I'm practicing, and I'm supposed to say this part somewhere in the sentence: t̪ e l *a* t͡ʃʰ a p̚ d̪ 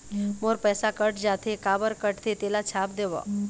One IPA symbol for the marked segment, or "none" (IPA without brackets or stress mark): a